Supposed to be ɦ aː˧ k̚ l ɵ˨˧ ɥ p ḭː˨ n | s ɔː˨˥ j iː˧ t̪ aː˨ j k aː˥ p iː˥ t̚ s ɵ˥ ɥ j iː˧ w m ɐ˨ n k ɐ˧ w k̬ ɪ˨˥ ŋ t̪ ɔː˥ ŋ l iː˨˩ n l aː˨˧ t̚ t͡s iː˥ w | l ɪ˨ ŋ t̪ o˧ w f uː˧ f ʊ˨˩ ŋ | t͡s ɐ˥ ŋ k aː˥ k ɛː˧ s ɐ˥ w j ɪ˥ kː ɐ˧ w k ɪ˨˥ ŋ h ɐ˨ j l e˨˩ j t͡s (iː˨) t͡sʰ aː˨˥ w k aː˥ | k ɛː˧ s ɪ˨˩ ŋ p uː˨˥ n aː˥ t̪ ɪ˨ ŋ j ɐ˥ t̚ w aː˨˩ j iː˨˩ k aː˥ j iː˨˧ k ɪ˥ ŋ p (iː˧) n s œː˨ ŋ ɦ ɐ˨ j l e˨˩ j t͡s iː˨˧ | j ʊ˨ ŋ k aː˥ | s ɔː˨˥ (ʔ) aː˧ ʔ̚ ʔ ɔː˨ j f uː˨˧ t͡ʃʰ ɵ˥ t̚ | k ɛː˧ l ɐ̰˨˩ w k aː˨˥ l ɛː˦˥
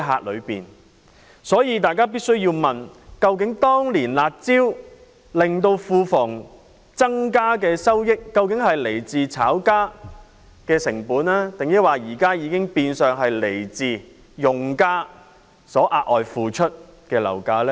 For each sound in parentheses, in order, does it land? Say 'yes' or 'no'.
yes, yes, yes

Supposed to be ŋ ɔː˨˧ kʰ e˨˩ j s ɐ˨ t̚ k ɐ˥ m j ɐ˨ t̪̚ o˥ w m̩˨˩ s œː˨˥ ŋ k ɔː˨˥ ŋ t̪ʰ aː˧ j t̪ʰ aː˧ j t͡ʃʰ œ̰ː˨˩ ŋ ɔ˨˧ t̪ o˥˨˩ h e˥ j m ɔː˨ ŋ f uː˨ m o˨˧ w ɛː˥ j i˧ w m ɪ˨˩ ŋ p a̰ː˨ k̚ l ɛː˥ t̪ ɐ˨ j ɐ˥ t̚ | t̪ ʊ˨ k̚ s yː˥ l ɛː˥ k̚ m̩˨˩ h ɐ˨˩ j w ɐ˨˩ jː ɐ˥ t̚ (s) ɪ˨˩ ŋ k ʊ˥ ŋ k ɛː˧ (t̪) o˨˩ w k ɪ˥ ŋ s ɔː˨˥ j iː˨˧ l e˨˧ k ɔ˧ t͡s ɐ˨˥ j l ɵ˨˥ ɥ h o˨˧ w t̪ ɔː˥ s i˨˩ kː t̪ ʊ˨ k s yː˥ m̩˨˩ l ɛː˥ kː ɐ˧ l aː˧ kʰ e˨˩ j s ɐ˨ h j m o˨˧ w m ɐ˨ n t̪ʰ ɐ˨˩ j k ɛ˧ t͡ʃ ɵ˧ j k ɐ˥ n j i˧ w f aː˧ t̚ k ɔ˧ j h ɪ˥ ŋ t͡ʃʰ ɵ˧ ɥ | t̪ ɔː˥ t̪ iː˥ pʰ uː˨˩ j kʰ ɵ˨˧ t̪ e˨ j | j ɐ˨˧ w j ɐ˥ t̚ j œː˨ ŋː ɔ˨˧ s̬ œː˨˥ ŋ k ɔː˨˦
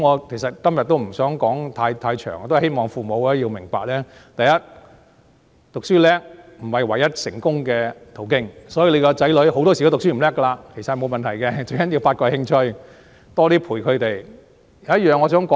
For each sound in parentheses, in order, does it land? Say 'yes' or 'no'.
yes, no

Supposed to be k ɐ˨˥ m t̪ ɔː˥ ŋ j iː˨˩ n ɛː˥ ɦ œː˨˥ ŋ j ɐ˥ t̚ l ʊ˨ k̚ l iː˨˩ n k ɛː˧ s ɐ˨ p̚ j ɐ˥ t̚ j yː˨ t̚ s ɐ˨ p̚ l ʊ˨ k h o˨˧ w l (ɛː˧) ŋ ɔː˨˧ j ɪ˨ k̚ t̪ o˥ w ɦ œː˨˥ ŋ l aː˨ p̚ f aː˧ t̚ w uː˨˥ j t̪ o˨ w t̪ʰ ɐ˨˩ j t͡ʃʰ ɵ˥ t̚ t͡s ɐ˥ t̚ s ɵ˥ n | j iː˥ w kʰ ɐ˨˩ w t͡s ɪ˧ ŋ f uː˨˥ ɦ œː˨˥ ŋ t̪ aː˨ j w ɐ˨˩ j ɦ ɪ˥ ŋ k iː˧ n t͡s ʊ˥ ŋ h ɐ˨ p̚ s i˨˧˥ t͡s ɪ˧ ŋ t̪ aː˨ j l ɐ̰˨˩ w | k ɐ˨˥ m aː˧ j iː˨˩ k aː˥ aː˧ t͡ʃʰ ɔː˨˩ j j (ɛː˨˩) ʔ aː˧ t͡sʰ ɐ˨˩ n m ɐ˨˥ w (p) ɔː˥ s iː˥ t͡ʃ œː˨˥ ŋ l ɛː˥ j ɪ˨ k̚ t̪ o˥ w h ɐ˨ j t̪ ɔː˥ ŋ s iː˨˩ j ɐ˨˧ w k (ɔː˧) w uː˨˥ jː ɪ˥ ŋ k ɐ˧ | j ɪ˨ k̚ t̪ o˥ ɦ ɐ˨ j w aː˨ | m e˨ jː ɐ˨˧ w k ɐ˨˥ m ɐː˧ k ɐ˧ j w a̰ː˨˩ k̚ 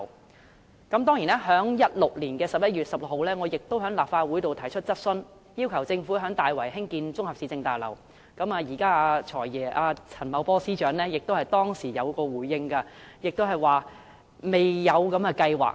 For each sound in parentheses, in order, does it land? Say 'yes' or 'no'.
no, yes, yes, yes

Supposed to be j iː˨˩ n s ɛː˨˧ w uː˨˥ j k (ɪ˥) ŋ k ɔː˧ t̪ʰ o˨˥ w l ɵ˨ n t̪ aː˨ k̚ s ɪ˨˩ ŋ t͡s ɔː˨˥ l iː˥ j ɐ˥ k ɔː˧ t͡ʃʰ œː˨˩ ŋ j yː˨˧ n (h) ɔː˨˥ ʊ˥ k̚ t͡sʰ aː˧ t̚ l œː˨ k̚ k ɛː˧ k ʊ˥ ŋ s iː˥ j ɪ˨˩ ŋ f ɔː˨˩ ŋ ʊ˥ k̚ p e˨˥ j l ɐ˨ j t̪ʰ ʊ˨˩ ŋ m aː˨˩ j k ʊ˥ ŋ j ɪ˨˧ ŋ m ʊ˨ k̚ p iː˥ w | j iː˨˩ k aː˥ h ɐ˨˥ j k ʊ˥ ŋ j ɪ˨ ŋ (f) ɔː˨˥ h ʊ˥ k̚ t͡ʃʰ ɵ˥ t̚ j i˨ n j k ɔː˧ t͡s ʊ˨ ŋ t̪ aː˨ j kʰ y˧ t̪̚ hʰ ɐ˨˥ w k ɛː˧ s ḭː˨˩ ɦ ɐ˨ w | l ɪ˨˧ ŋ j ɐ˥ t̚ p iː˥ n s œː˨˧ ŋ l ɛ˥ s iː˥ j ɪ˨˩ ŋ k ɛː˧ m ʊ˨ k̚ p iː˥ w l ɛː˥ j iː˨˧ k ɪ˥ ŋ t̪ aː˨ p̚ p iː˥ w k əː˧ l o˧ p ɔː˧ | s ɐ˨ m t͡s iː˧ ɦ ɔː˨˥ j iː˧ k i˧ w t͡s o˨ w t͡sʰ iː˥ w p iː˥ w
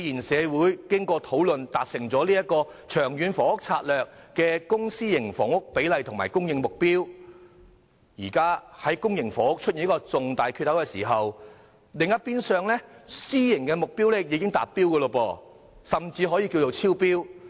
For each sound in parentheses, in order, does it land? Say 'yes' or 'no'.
yes, no, yes

